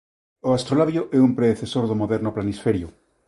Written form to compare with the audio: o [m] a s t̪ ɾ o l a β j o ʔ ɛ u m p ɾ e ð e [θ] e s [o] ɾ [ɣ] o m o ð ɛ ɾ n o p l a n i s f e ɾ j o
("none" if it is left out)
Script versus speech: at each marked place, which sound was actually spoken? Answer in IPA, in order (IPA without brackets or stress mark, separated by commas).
none, θ, o, ð